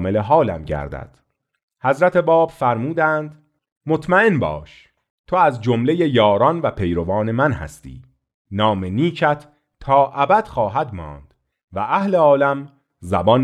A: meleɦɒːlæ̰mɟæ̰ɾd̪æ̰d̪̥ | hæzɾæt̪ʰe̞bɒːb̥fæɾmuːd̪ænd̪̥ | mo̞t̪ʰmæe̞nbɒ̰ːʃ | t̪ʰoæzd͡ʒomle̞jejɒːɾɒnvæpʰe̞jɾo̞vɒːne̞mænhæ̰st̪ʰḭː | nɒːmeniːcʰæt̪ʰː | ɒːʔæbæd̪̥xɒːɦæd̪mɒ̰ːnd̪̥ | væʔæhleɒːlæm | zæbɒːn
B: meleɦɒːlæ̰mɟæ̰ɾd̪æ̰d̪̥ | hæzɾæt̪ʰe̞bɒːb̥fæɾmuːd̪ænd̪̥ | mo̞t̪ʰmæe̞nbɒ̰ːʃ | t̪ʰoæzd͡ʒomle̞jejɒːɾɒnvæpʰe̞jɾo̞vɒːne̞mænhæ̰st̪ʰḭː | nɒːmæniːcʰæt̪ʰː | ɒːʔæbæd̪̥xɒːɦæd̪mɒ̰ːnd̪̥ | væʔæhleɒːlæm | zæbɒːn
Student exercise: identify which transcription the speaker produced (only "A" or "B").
A